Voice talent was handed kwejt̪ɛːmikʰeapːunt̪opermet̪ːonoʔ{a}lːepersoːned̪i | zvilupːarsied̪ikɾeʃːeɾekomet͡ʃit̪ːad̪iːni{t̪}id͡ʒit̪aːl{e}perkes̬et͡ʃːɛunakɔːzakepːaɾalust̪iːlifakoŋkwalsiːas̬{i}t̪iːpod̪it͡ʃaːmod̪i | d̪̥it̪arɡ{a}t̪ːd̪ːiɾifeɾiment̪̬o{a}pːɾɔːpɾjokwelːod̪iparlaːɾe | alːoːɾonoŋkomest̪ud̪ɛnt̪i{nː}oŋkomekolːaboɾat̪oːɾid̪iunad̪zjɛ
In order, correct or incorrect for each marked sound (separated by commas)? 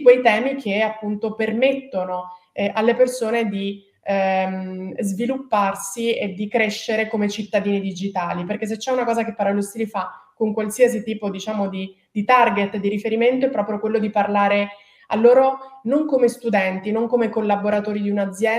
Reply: correct, incorrect, incorrect, correct, incorrect, incorrect, incorrect